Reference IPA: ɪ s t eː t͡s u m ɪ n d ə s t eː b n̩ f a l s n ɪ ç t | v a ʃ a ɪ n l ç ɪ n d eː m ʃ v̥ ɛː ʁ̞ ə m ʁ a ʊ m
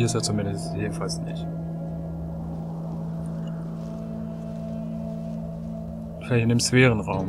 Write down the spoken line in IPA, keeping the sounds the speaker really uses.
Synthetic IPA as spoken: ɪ s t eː t͡s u m ɪ n d ə s t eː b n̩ f a l s n ɪ ç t | v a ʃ a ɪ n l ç ɪ n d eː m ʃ v̥ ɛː ʁ̞ ə n ʁ a ʊ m

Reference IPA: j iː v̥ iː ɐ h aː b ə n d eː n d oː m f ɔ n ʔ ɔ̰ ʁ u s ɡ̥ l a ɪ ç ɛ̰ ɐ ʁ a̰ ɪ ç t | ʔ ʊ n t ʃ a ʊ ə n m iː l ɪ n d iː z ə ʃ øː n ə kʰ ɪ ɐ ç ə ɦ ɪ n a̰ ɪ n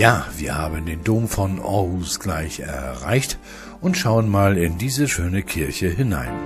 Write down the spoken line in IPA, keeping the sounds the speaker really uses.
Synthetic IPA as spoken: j aː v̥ iː ɐ h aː b ə n d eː n d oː m f ɔ n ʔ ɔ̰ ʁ u s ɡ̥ l a ɪ ç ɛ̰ ɐ ʁ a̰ ɪ ç t | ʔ ʊ n t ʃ a ʊ ə n m aː l ɪ n d iː z ə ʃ øː n ə kʰ ɪ ɐ ç ə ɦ ɪ n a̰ ɪ n

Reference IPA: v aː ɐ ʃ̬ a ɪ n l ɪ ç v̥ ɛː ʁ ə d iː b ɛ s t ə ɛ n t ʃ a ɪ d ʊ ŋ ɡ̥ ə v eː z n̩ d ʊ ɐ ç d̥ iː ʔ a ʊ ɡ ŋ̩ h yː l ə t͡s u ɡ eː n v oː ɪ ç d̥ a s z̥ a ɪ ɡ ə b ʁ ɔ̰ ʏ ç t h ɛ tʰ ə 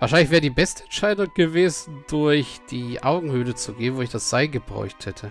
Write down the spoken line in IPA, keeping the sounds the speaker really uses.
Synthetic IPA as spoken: v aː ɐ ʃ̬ a ɪ n l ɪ ç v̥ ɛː ʁ ə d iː b ɛ s t ə ɛ n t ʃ a ɪ d ʊ ŋ ɡ̥ ə v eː z n̩ d ʊ ɐ ç d̥ iː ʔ a ʊ ɡ ŋ̩ h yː l ə t͡s u ɡ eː n v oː ɪ ç d̥ a s z̥ a ɪ ɡ ə b ʁ ɔ̰ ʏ ç t h ɛ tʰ ə

